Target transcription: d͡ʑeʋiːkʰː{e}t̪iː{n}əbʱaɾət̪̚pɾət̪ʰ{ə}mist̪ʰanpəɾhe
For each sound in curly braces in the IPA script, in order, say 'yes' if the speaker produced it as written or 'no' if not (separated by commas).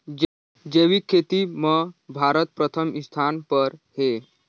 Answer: yes, no, yes